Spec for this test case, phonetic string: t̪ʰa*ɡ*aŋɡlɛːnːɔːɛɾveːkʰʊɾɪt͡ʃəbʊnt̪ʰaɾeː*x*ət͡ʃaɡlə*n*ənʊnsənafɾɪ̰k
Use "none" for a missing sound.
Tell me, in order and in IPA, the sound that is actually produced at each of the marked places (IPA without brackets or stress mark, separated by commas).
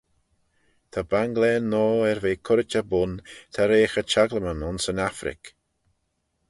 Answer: b, x, m